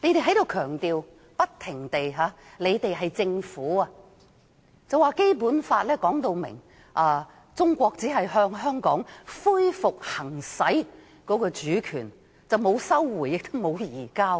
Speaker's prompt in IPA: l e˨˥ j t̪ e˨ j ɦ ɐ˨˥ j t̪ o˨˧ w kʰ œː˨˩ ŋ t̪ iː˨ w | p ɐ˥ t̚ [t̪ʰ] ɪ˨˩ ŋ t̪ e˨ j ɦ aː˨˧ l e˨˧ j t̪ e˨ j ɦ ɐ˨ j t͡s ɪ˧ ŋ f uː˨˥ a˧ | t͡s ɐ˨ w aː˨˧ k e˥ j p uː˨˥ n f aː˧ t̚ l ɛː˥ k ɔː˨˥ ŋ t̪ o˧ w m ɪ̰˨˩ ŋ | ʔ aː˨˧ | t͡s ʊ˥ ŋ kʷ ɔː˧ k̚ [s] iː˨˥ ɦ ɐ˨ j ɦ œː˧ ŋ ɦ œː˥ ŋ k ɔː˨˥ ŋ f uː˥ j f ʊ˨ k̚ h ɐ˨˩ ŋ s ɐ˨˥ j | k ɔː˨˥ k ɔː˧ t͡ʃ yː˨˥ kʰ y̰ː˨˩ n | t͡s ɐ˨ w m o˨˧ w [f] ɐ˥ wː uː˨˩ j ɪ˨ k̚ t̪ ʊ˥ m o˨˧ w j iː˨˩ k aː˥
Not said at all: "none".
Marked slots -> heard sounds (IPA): t̪ʰ, t͡s, s

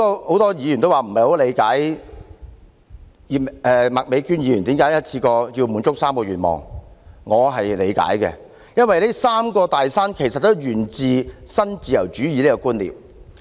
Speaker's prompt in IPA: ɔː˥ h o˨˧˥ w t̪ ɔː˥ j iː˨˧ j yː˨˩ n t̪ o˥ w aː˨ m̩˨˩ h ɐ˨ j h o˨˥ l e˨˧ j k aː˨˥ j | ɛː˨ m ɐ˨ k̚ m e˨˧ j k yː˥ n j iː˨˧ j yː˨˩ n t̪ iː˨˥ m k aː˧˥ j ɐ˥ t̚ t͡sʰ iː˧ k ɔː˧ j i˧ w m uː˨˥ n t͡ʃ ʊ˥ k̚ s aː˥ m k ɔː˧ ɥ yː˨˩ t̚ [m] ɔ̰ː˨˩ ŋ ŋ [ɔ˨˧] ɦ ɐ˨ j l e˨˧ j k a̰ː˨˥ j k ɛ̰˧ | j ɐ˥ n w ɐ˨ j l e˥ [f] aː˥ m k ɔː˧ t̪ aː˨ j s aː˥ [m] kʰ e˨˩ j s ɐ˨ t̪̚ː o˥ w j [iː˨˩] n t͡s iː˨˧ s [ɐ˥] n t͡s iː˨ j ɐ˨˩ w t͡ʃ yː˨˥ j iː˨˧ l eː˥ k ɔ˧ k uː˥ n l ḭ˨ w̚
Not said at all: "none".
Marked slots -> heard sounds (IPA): m, ɔː˨˧, s, n, yː˨˩, ɐ˥

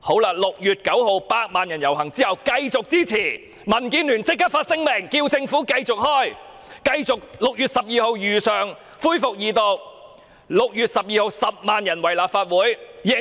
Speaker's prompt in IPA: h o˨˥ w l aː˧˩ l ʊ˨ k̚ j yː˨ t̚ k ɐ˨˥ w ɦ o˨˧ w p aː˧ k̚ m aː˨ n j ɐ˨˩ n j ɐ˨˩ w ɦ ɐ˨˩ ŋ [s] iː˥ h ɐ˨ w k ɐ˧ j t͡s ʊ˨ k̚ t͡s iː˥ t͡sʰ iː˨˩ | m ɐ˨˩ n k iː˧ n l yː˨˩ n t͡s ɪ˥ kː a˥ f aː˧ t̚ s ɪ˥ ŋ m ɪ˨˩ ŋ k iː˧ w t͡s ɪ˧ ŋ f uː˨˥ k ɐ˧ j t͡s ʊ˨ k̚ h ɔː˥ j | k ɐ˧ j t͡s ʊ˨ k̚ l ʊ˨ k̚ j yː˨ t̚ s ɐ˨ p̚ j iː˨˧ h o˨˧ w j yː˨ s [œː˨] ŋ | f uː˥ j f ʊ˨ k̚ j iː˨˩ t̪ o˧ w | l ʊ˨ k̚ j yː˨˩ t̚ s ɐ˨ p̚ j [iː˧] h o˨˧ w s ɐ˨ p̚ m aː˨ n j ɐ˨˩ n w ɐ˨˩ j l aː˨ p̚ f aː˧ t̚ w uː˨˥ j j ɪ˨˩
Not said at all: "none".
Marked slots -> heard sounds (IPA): t͡s, œː˨, iː˧

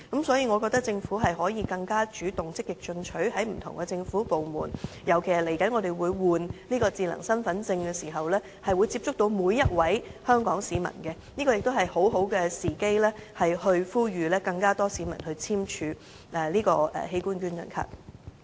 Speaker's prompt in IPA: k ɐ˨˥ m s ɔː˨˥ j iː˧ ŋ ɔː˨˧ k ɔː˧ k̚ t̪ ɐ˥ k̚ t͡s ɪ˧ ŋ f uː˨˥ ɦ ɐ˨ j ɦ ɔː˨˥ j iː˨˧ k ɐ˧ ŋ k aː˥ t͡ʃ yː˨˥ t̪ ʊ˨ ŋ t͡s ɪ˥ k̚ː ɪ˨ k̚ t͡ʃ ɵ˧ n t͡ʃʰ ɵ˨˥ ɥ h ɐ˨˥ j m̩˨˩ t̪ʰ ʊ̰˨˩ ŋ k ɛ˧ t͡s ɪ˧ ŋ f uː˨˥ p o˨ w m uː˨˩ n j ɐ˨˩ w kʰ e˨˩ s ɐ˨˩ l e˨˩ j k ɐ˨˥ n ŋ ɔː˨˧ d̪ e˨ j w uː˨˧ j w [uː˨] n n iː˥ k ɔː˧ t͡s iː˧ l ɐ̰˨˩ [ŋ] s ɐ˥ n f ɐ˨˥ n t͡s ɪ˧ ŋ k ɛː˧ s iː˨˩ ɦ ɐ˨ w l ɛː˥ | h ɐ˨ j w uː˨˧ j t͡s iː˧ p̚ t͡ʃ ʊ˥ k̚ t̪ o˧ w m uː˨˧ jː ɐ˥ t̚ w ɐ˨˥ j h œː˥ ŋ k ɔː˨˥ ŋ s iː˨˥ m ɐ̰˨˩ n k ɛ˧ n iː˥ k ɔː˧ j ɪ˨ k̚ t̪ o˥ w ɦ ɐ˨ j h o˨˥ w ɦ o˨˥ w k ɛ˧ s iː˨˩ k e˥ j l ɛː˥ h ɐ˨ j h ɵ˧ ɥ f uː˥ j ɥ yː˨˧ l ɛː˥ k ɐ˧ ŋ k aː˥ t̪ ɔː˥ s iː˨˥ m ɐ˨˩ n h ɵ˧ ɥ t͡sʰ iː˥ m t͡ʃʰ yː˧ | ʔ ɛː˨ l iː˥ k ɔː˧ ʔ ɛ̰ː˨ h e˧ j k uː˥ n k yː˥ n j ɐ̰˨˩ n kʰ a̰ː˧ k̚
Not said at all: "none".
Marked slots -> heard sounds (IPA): uː˨, ŋ

